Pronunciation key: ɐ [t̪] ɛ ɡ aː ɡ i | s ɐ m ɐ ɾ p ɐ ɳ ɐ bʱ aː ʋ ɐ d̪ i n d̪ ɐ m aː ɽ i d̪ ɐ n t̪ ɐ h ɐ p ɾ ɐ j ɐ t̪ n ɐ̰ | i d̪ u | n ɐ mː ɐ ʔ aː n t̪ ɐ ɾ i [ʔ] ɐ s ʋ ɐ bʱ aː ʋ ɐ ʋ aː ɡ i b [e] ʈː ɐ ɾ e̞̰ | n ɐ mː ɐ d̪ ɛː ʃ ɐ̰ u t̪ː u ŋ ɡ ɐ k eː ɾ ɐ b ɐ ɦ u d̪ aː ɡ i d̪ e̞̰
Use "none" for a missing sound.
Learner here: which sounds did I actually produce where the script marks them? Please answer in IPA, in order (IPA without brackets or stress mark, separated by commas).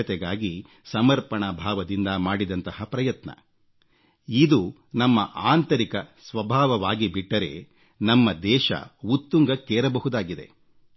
t̪, k, i